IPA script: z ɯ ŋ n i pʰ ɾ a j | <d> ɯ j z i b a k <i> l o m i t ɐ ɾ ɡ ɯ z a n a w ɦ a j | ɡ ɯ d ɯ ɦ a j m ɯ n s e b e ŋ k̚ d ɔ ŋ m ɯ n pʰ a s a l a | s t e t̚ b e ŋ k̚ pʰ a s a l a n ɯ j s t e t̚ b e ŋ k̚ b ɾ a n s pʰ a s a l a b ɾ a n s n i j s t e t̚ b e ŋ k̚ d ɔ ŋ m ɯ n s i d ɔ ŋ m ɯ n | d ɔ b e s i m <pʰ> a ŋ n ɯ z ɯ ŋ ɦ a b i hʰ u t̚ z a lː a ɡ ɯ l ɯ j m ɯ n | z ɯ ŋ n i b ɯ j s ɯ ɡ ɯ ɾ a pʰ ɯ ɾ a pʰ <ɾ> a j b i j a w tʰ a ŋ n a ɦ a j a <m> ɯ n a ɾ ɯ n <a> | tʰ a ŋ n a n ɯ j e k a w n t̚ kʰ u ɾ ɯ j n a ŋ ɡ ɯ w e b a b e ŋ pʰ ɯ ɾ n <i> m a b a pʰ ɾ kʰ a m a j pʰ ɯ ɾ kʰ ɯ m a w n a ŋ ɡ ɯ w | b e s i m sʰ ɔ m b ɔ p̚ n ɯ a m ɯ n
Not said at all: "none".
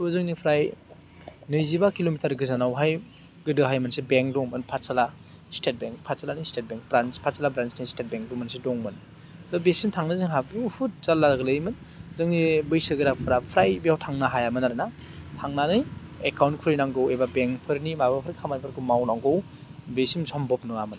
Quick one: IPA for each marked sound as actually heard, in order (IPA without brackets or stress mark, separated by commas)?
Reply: n, i, tʰ, ɾ, m, a, i